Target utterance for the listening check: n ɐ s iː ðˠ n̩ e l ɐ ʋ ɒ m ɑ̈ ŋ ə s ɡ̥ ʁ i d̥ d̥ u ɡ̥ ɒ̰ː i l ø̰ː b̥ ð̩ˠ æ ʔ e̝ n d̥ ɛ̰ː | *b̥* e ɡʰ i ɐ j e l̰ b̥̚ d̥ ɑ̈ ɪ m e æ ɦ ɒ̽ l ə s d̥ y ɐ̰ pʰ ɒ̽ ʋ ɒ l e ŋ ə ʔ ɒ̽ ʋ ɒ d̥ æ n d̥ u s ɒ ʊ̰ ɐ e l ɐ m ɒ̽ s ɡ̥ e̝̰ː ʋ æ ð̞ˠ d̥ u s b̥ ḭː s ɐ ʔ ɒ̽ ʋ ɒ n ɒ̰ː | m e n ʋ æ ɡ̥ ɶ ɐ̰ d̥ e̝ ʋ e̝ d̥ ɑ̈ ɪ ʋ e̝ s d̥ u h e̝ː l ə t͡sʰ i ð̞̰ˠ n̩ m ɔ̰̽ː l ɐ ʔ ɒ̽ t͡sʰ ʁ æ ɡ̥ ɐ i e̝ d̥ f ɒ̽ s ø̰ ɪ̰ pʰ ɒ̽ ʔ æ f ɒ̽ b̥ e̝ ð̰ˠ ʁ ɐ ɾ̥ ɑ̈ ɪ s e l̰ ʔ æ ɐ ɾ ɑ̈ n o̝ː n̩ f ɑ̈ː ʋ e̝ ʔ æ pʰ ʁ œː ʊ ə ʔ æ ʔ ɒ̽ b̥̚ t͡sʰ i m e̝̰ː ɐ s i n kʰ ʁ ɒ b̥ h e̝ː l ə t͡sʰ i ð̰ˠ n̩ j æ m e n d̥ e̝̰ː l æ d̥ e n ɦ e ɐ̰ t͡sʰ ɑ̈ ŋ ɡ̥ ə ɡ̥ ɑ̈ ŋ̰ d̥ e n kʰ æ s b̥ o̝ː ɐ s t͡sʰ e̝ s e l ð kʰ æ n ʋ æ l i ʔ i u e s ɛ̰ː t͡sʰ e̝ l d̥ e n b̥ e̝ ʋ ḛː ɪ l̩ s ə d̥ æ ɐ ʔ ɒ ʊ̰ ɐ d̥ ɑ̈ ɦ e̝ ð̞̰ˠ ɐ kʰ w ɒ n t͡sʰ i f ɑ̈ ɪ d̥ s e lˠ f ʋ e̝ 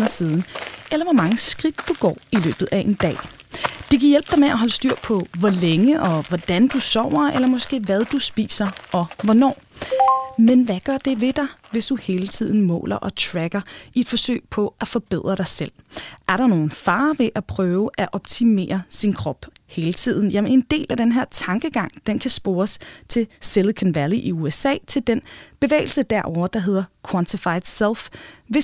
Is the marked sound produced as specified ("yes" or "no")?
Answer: no